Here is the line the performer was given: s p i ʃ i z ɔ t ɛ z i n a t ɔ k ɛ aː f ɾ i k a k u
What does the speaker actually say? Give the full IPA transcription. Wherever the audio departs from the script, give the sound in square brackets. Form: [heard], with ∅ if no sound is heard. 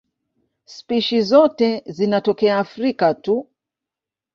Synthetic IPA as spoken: s p i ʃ i z ɔ t ɛ z i n a t ɔ k ɛ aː f ɾ i k a [t] u